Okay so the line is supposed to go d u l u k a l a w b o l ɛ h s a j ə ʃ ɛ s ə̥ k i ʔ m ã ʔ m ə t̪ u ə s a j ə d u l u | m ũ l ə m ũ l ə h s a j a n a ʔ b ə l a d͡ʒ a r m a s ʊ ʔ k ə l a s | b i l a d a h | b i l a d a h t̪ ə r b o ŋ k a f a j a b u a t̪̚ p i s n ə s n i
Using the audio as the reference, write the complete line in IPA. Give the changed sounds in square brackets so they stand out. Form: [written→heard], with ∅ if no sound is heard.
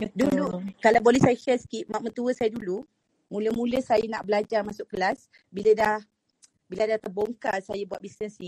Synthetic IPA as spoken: d u l u k a l a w b o l ɛ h s a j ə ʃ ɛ s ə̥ k i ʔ m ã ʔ m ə t̪ u ə s a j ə d u l u | m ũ l ə m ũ l ə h s a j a n a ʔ b ə l a d͡ʒ a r m a s ʊ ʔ k ə l a s | b i l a d a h | b i l a d a h t̪ ə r b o ŋ k a [f→s] a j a b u a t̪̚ [p→b] i s n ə s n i